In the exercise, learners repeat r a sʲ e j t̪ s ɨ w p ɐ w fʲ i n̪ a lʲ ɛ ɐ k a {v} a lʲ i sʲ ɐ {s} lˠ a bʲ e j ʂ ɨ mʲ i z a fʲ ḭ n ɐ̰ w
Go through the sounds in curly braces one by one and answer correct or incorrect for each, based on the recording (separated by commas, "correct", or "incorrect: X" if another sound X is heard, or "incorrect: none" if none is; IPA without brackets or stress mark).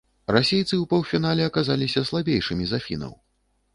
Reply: incorrect: z, correct